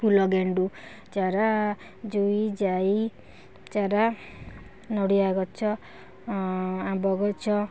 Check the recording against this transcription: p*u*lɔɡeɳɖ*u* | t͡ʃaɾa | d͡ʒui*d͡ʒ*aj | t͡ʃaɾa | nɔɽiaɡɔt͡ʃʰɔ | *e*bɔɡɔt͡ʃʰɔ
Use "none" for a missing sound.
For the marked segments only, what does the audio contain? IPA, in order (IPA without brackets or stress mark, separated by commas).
u, u, d͡ʒ, a